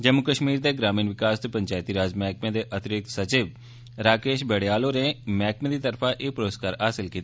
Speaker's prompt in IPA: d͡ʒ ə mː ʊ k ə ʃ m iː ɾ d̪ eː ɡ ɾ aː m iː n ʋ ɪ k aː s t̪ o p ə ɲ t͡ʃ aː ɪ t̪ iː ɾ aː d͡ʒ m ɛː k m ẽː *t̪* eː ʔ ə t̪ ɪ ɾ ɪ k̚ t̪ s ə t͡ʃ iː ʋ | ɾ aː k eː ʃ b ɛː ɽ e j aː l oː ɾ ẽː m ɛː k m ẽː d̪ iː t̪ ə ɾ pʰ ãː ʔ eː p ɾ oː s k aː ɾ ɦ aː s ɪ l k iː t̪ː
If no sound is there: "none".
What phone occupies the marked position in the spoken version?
d̪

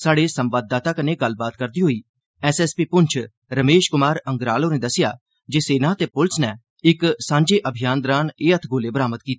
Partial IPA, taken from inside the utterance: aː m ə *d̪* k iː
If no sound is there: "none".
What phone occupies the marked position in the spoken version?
t̪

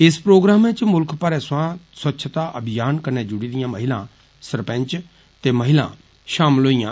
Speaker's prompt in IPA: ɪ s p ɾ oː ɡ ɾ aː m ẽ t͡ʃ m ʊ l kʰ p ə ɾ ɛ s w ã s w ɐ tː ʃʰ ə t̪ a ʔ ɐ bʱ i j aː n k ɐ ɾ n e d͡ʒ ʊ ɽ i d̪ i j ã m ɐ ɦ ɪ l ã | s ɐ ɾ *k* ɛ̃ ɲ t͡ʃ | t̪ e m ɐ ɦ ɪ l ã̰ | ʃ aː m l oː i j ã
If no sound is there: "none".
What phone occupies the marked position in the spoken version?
p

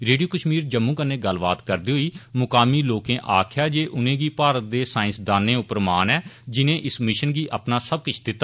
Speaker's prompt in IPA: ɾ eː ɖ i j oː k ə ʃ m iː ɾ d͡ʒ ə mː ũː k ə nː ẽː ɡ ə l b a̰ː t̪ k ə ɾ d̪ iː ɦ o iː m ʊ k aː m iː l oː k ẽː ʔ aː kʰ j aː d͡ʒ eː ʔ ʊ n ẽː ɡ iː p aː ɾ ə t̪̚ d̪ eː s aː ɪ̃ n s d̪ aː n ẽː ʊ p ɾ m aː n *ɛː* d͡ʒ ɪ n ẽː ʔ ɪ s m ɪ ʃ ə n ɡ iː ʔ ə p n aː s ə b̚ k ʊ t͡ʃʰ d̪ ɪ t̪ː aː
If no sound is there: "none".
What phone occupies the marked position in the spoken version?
ɛː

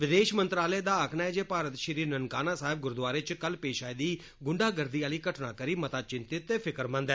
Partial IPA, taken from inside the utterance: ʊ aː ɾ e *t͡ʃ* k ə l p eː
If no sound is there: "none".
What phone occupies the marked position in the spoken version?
t͡ʃ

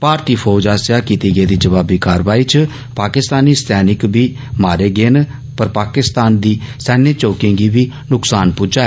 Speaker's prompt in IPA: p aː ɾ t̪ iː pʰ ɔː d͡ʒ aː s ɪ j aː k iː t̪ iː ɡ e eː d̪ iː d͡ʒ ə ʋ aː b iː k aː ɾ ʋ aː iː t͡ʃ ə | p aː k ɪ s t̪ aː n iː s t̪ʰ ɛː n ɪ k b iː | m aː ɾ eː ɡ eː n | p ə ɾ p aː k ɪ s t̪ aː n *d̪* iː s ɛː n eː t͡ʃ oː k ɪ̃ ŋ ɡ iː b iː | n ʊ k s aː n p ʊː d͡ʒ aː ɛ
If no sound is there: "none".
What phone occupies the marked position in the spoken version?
d̪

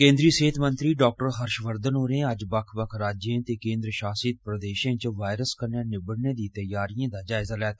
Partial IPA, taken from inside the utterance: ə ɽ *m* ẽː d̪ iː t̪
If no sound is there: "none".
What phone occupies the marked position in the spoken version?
n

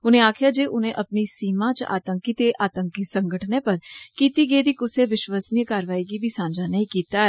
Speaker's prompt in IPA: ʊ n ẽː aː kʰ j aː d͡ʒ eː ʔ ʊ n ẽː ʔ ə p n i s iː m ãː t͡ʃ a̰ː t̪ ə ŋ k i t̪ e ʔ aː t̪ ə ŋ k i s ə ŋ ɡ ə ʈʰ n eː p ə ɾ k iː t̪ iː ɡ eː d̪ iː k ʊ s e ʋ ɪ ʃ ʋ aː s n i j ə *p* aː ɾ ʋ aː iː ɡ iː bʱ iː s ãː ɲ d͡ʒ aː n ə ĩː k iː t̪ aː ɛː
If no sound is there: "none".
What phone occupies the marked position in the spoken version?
k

